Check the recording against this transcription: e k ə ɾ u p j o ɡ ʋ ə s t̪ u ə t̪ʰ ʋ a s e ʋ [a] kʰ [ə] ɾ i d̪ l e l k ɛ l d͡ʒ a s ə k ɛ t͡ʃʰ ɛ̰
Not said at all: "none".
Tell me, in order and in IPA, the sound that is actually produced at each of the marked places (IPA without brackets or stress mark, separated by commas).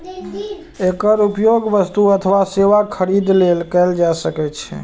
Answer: a, ə